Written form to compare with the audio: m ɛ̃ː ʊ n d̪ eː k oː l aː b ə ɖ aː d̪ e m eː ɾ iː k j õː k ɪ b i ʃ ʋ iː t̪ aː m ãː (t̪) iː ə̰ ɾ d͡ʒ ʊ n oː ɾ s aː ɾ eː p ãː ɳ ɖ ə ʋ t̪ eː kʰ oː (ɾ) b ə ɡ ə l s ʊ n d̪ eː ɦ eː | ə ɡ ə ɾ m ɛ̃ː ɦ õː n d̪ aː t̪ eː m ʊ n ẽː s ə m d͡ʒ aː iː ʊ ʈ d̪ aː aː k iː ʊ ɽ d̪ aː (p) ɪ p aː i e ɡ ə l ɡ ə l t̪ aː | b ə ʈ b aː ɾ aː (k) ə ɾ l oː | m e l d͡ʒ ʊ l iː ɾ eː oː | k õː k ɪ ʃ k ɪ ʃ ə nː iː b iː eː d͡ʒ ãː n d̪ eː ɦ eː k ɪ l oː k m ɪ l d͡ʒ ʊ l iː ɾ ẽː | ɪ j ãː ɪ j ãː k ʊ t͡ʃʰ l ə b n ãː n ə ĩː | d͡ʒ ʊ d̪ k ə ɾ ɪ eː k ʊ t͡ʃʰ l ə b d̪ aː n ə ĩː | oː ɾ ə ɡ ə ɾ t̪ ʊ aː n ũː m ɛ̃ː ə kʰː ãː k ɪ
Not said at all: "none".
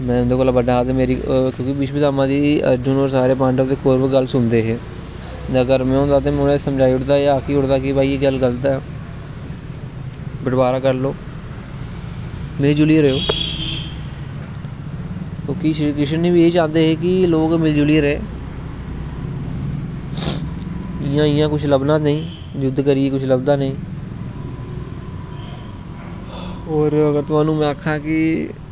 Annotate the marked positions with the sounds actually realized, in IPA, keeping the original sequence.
d̪, ɾ, k, k

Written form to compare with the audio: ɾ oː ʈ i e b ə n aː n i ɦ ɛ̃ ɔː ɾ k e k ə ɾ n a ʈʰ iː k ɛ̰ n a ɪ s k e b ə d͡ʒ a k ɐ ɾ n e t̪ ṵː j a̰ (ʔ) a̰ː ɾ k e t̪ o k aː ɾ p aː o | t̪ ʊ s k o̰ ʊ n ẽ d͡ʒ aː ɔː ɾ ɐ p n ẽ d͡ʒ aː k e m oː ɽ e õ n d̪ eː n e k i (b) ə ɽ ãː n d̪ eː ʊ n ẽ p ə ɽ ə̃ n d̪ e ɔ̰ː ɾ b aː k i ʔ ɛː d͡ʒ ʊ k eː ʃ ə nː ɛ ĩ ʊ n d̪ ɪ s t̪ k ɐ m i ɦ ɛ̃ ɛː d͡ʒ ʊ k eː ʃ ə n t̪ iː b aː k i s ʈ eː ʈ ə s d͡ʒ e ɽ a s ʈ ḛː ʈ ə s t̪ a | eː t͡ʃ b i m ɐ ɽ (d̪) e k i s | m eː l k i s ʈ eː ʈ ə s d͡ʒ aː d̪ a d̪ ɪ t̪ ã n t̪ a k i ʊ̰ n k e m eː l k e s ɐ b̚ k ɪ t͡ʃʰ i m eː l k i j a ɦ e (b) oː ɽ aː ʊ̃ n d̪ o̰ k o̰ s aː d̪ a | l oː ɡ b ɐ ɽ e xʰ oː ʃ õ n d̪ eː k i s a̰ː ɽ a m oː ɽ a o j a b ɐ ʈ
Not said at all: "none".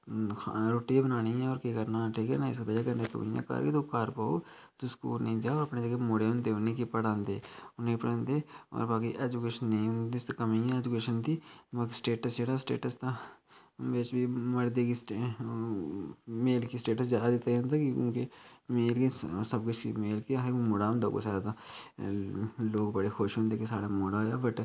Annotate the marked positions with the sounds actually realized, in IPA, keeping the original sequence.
k, p, d̪, m

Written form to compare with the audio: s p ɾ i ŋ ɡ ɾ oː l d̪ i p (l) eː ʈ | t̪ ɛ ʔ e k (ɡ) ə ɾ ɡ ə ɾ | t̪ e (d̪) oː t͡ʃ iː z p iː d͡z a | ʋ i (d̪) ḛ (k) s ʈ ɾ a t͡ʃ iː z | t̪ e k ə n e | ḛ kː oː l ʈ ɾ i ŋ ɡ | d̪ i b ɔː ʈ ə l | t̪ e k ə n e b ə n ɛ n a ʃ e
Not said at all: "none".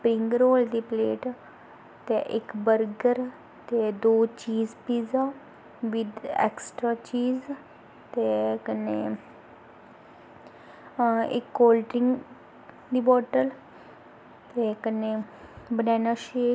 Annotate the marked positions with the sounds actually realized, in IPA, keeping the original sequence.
l, b, d̪, d̪, k

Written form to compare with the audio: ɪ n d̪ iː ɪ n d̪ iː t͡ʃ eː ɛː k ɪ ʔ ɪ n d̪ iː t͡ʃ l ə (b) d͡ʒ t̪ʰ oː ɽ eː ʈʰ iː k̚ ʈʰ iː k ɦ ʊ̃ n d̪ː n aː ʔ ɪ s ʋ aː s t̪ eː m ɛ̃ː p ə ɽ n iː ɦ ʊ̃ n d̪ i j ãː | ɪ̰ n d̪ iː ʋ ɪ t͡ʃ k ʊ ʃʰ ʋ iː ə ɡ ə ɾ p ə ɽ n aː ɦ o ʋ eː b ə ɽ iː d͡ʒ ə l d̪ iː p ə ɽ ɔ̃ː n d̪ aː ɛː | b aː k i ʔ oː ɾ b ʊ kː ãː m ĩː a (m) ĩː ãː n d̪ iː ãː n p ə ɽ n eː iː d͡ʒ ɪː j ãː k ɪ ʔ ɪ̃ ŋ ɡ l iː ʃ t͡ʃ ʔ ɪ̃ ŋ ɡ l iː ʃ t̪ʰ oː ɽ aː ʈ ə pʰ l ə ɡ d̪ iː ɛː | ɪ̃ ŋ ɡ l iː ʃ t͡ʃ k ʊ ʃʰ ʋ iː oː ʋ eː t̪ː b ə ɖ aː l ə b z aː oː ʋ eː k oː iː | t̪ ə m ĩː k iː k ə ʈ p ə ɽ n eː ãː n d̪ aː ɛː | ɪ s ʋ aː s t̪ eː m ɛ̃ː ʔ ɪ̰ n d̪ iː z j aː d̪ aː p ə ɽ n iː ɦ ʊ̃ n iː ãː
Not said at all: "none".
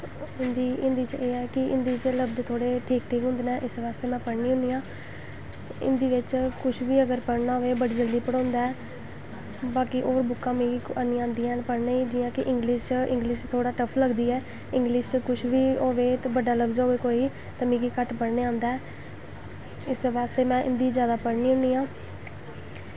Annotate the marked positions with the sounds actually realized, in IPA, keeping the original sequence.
b, n

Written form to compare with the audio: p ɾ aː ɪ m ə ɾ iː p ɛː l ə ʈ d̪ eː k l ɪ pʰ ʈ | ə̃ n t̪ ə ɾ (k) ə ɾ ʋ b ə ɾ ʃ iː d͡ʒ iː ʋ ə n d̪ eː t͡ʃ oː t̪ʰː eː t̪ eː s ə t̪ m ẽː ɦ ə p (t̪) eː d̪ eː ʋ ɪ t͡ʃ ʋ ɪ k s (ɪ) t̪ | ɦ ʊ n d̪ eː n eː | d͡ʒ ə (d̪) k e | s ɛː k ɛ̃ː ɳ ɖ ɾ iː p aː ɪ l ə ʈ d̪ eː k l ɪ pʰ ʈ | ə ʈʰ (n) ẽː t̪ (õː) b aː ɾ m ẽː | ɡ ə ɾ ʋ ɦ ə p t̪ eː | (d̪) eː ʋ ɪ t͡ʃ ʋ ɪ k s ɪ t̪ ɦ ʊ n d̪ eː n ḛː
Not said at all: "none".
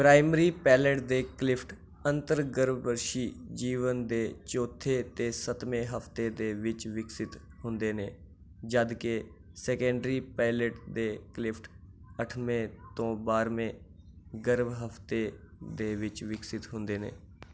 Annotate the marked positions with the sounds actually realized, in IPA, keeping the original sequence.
ɡ, t̪, ɪ, d̪, m, õː, d̪

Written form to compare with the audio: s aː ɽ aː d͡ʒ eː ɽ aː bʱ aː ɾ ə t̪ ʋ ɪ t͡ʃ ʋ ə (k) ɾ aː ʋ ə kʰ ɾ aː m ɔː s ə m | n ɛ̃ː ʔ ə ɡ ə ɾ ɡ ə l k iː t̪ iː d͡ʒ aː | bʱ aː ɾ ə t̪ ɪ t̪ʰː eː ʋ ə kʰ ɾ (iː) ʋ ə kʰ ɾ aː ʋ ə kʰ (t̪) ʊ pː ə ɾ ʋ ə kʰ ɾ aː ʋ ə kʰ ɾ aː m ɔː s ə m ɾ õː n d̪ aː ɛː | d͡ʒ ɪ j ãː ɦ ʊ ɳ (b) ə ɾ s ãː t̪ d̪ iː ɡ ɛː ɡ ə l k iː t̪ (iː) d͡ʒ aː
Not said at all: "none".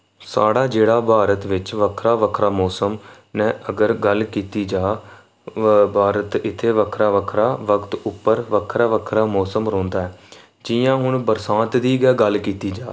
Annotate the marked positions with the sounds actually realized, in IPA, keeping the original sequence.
kʰ, aː, t̪, b, iː

